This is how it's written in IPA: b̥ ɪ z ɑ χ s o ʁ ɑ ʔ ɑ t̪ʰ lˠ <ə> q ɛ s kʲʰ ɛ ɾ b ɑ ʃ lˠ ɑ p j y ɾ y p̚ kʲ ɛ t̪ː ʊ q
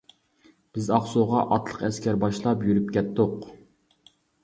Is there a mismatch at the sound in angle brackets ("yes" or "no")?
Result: no